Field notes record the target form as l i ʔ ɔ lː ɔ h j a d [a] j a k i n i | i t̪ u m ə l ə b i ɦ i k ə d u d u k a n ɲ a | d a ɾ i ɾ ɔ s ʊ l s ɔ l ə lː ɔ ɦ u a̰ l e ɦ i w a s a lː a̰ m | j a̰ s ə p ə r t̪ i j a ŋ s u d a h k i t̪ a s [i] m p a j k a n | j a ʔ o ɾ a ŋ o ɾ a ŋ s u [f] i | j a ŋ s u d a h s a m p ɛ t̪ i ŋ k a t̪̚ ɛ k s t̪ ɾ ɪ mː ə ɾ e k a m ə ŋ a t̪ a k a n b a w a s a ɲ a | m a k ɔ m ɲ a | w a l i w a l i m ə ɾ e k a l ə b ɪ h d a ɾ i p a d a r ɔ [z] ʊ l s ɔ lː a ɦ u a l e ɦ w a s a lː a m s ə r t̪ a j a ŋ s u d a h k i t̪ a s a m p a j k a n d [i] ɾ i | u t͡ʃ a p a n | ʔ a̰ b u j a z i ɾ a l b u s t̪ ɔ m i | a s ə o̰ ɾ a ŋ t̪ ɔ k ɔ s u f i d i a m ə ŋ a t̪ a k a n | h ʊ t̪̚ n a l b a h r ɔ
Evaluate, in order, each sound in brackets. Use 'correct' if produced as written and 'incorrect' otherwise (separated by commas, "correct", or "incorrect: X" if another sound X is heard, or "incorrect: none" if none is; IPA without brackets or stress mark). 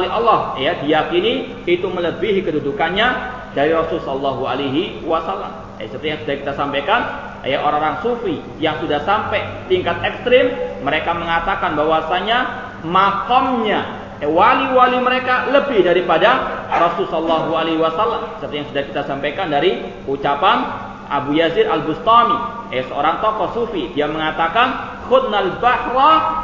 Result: incorrect: i, incorrect: a, correct, incorrect: s, incorrect: a